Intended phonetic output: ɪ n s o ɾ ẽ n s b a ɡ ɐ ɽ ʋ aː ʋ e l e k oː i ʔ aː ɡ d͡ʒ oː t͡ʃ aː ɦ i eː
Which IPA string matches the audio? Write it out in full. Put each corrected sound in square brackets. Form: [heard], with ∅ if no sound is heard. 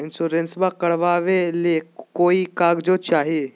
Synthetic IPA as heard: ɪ n s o ɾ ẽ n s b a [k] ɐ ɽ ʋ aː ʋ e l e k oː i [k] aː ɡ d͡ʒ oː t͡ʃ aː ɦ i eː